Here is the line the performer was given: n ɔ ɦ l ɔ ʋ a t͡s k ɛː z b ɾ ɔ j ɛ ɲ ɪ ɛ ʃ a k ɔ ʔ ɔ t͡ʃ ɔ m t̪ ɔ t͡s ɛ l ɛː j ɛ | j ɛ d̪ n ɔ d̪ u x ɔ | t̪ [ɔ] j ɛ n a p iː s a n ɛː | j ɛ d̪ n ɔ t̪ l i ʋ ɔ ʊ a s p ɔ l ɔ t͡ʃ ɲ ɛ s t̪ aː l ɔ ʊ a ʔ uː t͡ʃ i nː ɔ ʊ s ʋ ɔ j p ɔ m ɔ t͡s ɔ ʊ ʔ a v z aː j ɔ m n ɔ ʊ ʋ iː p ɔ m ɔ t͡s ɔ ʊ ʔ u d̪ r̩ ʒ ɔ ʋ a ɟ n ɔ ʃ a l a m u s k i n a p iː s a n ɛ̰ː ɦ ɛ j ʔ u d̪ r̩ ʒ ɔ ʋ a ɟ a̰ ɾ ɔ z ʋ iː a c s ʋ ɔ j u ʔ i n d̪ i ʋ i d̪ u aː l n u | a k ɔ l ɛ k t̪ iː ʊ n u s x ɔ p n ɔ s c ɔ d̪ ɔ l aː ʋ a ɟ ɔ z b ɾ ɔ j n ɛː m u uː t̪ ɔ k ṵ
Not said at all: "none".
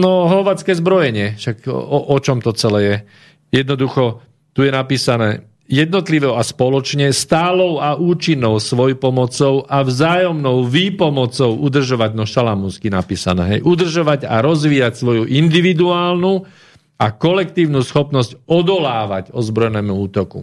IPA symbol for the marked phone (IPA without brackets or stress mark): u